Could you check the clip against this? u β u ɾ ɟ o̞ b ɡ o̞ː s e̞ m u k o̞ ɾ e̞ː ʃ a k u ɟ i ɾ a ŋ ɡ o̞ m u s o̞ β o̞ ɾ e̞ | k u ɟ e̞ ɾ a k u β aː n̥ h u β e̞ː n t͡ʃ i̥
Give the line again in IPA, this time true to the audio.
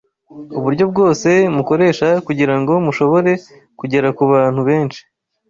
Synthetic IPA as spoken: u β u ɾ ɟ o̞ b ɡ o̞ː s e̞ m u k o̞ ɾ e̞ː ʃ a k u ɟ i ɾ a ŋ ɡ o̞ m u ʃ o̞ β o̞ ɾ e̞ | k u ɟ e̞ ɾ a k u β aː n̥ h u β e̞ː n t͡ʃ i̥